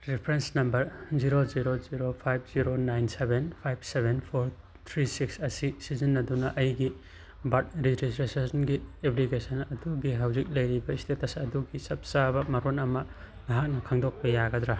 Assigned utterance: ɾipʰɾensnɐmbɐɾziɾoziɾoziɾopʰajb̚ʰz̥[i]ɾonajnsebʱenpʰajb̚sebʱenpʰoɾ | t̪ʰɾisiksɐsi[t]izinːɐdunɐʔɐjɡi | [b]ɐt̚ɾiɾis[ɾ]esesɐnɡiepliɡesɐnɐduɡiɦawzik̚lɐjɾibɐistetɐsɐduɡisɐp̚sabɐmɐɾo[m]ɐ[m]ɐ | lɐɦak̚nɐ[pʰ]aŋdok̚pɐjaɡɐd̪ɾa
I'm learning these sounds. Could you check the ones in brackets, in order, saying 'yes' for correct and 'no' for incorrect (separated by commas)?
yes, no, yes, yes, no, yes, no